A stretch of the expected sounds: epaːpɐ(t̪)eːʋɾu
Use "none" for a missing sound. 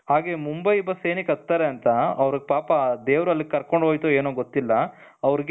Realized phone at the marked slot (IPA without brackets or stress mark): d̪